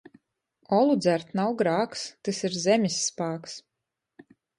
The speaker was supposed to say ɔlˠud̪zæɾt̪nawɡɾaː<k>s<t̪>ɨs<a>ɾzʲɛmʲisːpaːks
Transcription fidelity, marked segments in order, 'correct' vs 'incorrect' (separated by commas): correct, correct, incorrect